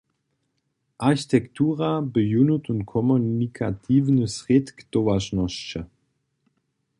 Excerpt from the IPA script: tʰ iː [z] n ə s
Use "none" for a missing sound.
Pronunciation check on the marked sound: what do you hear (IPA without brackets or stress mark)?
v